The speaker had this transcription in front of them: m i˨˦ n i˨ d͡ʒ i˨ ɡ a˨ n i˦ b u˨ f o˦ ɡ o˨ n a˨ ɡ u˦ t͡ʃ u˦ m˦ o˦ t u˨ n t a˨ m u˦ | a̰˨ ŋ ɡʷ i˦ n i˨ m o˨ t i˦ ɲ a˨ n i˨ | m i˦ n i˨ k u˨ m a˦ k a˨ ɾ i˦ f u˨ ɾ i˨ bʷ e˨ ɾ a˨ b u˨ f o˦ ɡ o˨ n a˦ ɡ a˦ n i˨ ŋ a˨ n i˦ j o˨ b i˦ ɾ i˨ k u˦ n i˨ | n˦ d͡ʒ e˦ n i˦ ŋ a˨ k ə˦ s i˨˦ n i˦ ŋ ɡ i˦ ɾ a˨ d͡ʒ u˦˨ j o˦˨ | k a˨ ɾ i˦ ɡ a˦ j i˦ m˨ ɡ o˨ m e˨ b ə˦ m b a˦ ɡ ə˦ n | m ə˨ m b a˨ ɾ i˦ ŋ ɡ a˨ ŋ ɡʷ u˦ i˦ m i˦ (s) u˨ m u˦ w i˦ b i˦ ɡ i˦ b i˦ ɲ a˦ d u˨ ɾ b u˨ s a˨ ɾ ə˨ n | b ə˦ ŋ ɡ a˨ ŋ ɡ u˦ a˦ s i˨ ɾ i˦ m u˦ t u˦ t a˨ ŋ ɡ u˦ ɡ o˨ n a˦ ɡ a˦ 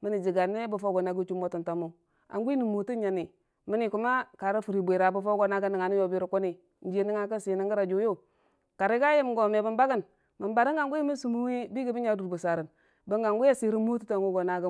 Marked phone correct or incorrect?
correct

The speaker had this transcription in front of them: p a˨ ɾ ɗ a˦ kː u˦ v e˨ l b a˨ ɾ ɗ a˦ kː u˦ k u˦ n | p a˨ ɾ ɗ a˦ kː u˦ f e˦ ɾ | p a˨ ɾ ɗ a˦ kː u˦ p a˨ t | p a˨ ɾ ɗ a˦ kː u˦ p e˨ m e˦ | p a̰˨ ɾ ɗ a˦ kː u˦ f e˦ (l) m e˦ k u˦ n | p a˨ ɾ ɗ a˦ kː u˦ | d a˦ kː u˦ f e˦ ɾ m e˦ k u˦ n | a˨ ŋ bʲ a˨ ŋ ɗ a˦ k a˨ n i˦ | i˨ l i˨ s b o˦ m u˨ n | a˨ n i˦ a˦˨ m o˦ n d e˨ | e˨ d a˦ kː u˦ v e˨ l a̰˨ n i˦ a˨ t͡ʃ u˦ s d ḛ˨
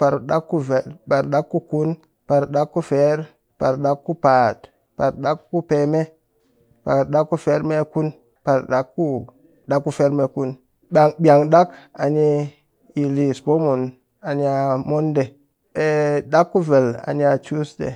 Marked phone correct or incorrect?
incorrect: ɾ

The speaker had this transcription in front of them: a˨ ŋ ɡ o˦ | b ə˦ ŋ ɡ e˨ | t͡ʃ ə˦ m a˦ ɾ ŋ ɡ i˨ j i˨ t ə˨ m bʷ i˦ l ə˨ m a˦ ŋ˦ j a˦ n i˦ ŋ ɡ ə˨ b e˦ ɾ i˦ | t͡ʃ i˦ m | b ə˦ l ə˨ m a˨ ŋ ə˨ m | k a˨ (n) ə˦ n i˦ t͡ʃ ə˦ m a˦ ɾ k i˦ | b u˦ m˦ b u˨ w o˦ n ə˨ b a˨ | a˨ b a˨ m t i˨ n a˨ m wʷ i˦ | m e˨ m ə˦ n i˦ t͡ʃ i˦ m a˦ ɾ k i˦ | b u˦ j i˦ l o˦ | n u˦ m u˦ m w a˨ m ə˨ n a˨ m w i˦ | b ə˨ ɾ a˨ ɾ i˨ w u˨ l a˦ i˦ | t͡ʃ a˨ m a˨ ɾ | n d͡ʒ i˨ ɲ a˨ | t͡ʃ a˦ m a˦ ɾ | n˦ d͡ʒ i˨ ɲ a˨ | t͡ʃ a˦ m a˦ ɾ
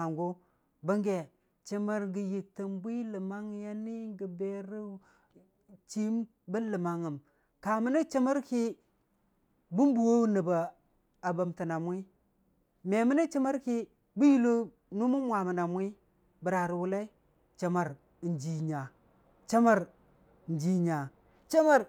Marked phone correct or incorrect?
incorrect: m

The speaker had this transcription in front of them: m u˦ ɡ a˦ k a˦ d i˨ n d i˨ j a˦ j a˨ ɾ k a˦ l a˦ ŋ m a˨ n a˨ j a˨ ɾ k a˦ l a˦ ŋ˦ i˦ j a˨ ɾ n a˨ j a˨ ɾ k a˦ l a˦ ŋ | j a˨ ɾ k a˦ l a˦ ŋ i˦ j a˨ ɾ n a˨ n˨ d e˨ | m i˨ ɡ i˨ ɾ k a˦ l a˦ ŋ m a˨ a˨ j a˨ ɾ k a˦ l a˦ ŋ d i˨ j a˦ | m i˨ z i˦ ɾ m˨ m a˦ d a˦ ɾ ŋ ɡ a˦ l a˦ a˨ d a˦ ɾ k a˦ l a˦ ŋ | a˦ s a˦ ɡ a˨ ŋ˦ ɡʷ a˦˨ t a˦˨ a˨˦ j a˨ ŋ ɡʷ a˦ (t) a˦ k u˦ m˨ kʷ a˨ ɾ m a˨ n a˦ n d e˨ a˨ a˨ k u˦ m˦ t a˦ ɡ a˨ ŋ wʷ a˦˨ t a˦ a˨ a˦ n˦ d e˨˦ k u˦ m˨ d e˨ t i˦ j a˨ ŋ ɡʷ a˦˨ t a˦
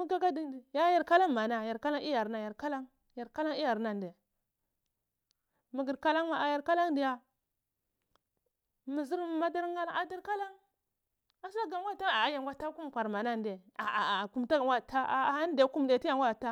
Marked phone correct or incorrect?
correct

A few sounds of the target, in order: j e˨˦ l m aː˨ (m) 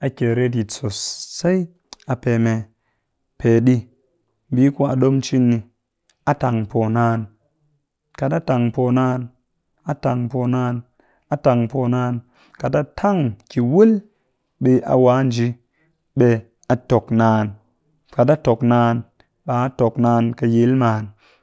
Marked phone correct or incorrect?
incorrect: n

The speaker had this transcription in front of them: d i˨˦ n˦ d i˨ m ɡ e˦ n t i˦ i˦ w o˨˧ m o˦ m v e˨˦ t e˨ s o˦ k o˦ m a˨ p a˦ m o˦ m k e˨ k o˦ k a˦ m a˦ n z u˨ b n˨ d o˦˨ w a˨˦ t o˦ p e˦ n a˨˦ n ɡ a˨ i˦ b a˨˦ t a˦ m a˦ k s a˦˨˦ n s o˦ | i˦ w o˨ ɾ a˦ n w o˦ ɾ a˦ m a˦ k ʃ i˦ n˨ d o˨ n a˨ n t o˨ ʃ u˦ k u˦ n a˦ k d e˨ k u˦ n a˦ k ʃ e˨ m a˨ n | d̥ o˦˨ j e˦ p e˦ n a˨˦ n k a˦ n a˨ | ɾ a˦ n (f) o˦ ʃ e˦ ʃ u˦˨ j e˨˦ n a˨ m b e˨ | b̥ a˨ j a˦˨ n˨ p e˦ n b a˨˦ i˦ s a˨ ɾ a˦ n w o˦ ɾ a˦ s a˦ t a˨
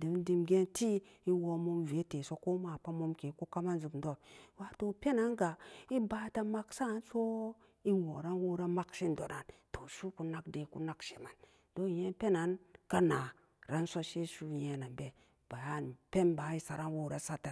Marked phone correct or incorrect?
incorrect: s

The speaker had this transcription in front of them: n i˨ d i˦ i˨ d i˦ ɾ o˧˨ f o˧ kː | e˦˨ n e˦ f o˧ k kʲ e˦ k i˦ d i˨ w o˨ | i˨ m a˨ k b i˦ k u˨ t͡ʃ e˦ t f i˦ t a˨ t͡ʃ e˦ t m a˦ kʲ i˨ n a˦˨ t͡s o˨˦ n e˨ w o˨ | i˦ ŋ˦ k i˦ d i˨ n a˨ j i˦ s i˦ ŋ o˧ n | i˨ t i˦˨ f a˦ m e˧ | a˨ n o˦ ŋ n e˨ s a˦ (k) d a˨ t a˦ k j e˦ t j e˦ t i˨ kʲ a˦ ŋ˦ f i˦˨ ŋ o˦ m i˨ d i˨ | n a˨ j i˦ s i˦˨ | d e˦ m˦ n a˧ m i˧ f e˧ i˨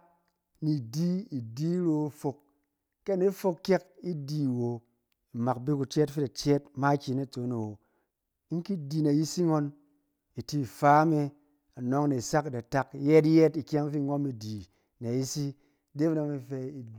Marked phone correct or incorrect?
correct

